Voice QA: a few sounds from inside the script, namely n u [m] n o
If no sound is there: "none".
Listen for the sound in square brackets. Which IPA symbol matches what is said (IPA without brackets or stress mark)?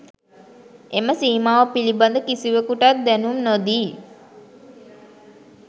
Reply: m